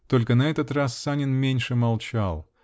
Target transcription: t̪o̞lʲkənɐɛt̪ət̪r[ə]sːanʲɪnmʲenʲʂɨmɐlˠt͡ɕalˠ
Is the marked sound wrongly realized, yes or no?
yes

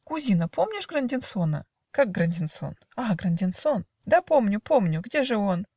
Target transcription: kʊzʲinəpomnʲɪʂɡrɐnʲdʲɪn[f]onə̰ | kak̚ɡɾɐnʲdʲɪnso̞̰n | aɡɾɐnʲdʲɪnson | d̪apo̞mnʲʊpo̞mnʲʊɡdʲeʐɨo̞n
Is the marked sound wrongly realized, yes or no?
yes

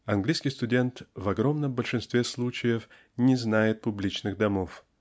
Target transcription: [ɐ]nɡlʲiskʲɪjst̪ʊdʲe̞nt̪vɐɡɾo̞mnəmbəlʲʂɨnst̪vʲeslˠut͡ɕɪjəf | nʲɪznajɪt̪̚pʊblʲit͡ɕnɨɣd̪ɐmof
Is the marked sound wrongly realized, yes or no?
no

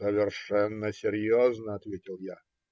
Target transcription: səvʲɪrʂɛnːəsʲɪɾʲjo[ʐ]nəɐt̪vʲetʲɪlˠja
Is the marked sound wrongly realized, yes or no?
yes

